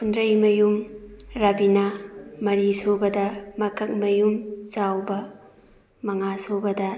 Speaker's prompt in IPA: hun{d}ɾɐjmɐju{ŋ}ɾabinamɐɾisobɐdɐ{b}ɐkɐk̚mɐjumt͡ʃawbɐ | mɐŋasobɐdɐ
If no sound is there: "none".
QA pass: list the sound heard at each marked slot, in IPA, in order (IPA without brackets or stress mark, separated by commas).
d, m, m